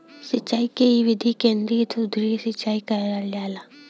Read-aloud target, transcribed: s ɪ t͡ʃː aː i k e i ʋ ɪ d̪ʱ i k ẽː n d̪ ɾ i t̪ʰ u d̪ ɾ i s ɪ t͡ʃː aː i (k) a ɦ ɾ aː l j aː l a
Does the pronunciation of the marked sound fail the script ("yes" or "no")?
no